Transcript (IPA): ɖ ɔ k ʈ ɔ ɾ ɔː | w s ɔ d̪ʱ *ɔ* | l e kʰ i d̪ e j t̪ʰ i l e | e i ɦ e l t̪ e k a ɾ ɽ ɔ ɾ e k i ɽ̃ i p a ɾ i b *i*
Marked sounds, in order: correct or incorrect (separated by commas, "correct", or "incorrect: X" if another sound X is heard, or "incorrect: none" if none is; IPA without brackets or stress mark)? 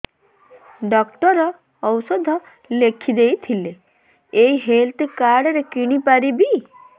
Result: correct, correct